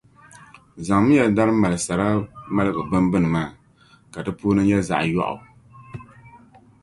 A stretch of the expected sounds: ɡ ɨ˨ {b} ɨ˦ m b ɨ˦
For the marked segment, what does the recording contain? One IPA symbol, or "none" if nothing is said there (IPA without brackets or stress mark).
b